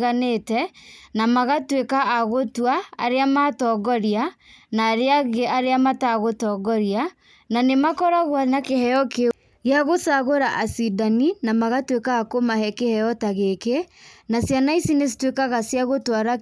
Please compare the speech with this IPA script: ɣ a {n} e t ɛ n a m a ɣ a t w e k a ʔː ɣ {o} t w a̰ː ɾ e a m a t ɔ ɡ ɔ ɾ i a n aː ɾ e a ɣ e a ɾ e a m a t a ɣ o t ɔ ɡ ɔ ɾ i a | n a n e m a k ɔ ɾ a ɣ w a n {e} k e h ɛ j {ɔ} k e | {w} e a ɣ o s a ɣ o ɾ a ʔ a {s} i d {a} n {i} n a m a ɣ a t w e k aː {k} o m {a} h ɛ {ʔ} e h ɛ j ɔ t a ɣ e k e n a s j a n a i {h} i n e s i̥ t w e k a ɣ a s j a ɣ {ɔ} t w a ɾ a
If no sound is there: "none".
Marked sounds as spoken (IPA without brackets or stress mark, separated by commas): n, o, a, ɔ, ɣ, s, a, i, k, a, k, s, o